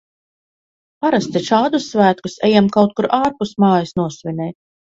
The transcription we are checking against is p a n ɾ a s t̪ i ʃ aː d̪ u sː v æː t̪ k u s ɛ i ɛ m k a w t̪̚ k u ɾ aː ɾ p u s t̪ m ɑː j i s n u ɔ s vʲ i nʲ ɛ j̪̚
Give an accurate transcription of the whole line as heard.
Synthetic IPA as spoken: p a ɾ a s t̪ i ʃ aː d̪ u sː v æː t̪ k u s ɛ j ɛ m k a w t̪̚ k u ɾ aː ɾ p u s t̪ m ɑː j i s n u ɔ s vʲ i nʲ ɛ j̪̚